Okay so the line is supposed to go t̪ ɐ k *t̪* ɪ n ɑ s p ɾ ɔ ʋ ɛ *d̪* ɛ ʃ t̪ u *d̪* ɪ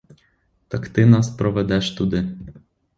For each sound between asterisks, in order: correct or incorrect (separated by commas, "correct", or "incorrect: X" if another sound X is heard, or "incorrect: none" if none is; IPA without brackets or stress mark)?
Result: correct, correct, correct